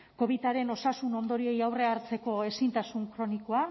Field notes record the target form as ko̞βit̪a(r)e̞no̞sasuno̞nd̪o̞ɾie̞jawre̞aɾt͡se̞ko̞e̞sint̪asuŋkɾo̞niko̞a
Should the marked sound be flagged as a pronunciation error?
yes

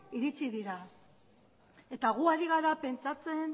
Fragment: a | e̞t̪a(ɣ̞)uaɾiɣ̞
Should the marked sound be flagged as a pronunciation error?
no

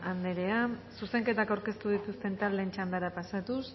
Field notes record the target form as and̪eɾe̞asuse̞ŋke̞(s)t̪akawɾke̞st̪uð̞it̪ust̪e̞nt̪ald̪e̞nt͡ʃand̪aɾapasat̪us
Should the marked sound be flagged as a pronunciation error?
yes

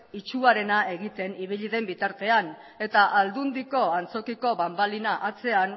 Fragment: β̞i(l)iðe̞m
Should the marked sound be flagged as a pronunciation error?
yes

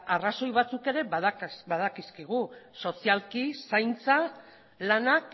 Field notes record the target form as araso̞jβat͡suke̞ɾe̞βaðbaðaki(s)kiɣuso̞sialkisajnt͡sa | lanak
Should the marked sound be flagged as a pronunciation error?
no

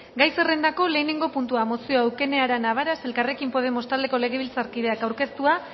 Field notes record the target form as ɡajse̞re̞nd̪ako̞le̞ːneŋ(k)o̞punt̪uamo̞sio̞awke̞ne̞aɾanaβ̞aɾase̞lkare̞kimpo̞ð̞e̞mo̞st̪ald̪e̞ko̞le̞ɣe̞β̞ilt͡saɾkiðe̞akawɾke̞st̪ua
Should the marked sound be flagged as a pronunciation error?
yes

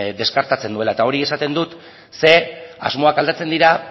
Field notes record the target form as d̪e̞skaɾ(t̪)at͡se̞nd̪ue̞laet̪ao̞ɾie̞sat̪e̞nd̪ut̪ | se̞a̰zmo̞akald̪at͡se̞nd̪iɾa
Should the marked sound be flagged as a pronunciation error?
no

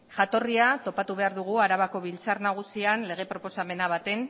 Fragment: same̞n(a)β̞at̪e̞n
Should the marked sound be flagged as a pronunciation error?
no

